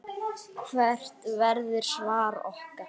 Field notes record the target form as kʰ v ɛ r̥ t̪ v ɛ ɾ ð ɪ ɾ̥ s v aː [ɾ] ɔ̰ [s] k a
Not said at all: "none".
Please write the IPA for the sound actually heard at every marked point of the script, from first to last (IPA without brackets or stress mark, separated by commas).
ɾ, h